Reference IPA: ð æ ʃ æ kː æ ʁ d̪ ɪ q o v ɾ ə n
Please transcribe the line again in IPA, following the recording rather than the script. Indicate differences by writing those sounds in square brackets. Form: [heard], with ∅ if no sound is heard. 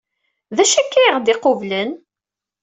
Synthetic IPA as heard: ð æ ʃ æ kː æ ʁ d̪ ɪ q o v [l] ə n